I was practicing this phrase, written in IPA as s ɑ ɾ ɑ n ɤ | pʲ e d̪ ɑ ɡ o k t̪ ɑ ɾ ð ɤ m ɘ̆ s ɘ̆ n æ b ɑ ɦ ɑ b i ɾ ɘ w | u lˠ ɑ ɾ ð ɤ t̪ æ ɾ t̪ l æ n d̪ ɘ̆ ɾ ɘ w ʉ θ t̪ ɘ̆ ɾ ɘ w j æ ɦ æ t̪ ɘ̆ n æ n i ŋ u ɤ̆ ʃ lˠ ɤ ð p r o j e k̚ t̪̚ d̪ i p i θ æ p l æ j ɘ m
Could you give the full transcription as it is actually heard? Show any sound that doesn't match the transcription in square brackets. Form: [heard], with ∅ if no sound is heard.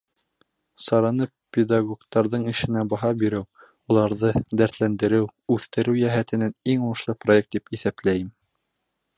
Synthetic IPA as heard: s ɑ ɾ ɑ n ɤ | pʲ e d̪ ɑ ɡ o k t̪ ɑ ɾ ð ɤ [ɴ] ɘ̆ [ʃ] ɘ̆ n æ b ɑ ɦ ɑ b i ɾ ɘ w | u lˠ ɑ ɾ ð ɤ [d̪] æ ɾ t̪ l æ n d̪ ɘ̆ ɾ ɘ w ʉ θ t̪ ɘ̆ ɾ ɘ w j æ ɦ æ t̪ ɘ̆ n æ n i ŋ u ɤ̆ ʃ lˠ ɤ [∅] p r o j e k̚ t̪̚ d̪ i p i θ æ p l æ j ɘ m